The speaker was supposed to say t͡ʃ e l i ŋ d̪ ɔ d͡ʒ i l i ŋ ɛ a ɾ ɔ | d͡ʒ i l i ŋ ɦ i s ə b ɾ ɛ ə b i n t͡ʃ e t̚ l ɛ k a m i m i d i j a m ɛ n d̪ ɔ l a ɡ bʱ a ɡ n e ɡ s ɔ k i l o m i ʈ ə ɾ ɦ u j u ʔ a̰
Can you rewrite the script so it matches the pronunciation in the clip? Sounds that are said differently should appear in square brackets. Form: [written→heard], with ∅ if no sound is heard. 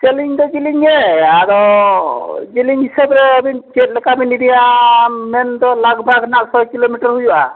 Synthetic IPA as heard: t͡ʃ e l i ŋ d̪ ɔ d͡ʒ i l i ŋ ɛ a ɾ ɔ | d͡ʒ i l i ŋ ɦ i s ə b ɾ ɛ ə b i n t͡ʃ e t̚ l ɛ k a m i [m→n] i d i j a m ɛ n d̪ ɔ l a ɡ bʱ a ɡ n [e→a] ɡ s ɔ k i l o m i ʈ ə ɾ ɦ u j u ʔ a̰